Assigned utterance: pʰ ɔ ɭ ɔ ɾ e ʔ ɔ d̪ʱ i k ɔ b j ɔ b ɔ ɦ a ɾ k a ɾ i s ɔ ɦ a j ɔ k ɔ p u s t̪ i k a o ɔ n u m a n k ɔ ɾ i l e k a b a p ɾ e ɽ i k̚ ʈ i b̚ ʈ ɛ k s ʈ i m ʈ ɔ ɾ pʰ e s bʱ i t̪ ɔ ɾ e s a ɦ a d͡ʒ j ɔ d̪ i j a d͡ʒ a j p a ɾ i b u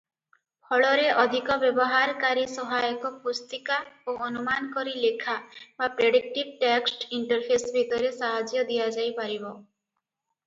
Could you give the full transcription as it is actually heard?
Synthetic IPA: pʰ ɔ ɭ ɔ ɾ e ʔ ɔ d̪ʱ i k ɔ b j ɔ b ɔ ɦ a ɾ k a ɾ i s ɔ ɦ a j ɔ k ɔ p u s t̪ i k a o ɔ n u m a n k ɔ ɾ i l e kʰ a b a p ɾ e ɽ i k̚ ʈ i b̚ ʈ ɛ k s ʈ i ɳ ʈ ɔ ɾ pʰ e s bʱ i t̪ ɔ ɾ e s a ɦ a d͡ʒ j ɔ d̪ i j a d͡ʒ a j p a ɾ i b ɔ